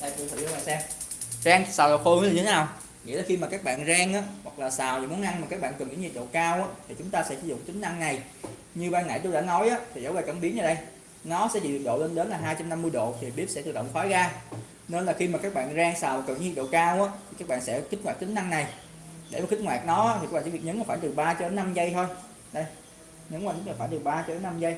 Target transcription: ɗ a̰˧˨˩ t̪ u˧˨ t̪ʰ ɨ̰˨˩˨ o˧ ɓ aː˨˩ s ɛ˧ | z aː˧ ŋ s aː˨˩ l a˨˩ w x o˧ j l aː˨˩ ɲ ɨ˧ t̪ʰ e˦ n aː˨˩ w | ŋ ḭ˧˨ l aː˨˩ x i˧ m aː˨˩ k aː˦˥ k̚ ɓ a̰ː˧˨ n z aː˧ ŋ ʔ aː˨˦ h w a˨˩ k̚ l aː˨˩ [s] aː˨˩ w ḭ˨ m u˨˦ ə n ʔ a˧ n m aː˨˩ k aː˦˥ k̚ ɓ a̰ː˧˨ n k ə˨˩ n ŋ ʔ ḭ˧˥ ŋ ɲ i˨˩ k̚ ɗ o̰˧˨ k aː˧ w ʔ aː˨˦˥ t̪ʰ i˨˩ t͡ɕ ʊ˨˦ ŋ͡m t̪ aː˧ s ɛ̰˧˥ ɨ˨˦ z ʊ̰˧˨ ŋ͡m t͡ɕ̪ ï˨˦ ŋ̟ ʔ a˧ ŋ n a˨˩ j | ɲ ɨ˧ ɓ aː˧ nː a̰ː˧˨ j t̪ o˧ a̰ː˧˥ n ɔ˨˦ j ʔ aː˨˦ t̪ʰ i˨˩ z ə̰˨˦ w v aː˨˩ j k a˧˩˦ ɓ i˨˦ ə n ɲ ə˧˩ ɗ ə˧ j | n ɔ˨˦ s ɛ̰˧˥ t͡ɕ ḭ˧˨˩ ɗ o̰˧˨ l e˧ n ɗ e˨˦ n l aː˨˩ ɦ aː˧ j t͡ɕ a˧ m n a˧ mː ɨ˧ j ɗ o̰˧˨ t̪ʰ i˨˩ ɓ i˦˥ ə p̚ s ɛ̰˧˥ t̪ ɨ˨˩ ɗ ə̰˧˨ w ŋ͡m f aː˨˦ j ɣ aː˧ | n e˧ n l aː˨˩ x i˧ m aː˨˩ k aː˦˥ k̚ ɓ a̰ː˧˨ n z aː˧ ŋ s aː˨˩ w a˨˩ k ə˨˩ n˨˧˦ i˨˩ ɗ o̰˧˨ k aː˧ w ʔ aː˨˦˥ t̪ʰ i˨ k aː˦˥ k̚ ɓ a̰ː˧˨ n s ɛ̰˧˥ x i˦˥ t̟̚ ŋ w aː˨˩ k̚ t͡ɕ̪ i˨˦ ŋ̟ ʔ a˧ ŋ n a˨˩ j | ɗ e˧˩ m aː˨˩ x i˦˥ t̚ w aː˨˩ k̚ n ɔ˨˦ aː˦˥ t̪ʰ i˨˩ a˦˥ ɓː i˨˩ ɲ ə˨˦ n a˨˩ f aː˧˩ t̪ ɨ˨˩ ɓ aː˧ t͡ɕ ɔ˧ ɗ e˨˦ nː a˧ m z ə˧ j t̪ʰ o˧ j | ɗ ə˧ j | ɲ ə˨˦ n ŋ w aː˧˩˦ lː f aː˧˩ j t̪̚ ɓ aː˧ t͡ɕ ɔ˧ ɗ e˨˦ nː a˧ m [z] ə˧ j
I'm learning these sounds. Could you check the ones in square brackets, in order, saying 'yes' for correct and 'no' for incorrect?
yes, yes

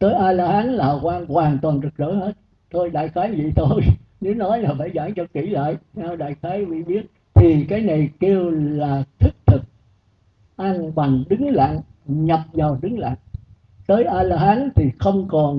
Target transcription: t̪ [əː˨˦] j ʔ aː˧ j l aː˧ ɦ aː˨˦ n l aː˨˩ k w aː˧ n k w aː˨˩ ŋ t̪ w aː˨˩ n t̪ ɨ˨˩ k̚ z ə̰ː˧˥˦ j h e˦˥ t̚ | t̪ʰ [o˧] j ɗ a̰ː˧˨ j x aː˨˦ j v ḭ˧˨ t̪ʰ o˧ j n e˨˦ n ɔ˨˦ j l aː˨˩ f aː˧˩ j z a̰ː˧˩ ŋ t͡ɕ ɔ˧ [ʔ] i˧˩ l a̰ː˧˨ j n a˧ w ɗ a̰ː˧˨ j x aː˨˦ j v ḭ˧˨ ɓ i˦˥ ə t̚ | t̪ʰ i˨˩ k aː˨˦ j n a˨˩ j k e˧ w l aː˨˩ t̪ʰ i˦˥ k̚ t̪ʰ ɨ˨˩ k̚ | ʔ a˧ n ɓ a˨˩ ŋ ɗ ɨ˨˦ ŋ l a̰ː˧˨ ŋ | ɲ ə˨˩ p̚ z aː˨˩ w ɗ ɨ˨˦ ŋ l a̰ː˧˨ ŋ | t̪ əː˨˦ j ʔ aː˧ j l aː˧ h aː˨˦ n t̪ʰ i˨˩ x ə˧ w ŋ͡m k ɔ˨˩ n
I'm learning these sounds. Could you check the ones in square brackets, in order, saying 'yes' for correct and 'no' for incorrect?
yes, yes, no

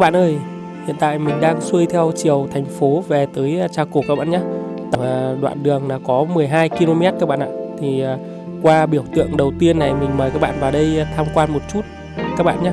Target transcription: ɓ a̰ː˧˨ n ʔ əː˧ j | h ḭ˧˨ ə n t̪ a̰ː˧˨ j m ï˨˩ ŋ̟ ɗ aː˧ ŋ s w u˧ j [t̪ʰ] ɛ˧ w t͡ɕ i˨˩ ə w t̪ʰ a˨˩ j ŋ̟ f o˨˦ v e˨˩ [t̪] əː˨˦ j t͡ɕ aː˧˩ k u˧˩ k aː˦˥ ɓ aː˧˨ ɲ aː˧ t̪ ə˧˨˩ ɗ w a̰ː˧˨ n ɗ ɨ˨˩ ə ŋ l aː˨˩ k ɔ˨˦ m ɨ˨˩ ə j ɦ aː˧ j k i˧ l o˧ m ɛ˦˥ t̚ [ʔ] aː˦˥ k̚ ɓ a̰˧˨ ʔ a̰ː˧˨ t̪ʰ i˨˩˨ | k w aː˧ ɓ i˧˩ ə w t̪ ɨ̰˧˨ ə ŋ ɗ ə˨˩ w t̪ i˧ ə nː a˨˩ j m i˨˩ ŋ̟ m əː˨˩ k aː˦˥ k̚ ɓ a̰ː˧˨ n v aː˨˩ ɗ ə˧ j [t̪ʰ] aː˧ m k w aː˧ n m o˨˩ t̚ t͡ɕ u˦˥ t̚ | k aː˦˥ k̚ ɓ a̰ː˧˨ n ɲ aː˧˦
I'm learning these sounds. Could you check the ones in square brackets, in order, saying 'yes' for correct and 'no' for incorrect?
yes, yes, no, yes

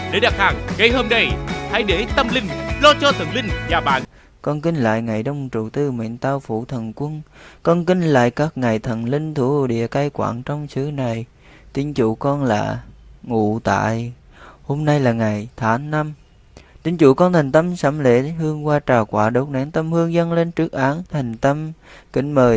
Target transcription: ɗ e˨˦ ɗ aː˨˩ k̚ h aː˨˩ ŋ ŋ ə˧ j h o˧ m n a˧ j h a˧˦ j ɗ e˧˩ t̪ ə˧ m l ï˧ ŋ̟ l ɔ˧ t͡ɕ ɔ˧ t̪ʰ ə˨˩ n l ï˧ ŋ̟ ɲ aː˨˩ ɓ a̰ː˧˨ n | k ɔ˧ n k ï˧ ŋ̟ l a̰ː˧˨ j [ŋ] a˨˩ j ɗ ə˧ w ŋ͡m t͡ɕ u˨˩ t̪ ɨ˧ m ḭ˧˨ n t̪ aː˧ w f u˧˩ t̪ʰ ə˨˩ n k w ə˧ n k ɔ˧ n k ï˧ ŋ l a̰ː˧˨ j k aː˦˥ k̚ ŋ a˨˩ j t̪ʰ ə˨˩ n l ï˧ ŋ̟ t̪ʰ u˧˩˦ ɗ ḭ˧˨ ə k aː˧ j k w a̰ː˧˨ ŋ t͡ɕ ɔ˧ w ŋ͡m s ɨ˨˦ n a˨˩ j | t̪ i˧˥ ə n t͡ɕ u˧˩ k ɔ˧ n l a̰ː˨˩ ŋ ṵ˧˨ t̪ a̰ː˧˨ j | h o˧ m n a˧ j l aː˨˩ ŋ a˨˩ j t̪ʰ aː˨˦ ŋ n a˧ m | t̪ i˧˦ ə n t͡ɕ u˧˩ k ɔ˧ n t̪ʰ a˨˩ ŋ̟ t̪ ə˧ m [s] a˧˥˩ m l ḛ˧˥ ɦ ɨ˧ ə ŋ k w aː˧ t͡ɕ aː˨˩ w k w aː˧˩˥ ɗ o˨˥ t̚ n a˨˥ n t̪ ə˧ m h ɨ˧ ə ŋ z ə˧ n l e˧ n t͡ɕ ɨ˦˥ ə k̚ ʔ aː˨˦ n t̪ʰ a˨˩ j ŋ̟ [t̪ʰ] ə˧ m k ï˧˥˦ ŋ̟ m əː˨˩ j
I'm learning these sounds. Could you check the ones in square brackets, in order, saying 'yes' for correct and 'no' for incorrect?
yes, yes, no

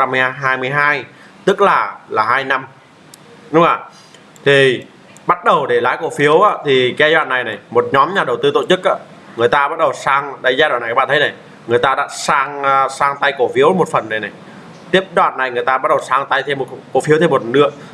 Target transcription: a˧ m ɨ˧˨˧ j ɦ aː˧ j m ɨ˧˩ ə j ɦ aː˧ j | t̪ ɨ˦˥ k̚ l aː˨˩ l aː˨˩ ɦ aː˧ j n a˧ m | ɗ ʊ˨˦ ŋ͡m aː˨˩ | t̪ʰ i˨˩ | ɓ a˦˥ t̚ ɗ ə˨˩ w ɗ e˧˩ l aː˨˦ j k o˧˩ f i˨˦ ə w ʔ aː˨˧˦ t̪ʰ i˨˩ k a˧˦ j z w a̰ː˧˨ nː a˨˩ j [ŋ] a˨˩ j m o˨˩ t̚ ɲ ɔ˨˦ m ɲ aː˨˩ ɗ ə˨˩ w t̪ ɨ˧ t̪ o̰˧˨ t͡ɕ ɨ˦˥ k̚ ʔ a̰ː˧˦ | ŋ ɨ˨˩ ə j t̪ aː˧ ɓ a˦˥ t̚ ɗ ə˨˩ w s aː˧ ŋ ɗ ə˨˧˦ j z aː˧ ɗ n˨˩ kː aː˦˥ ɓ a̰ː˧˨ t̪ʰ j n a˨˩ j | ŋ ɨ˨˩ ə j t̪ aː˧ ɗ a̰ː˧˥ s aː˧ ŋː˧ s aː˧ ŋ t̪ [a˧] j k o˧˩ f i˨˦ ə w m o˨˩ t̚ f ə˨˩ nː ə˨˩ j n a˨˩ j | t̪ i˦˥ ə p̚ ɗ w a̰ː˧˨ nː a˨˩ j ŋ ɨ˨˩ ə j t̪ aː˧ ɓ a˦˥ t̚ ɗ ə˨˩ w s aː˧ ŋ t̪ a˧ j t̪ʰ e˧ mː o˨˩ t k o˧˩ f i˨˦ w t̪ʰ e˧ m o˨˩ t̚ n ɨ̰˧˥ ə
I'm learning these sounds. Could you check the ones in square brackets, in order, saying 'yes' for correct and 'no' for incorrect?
no, yes

